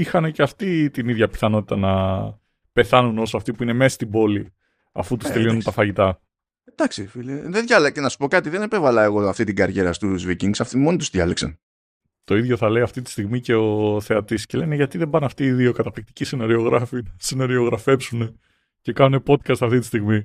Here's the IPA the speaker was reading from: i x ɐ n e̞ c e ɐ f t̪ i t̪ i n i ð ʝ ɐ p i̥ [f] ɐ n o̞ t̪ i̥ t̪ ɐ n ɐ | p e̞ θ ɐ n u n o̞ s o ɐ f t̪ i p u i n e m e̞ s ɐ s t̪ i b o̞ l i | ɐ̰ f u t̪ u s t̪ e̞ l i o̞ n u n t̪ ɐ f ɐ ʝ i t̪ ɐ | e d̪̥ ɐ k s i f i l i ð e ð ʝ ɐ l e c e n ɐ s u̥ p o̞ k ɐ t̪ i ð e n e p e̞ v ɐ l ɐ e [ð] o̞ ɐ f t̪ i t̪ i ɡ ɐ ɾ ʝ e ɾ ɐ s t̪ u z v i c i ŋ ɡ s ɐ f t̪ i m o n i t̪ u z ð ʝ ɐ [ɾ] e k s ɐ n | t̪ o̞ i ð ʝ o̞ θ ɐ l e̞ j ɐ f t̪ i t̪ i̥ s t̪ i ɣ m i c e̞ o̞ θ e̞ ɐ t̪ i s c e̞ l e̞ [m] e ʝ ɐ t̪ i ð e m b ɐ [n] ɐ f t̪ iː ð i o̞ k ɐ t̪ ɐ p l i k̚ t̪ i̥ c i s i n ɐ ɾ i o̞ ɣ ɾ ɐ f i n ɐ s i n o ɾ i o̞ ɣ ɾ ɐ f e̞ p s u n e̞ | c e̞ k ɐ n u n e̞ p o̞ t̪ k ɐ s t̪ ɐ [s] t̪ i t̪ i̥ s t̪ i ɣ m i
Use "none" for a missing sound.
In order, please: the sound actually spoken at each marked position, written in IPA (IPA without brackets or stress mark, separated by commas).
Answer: θ, ɣ, l, n, n, f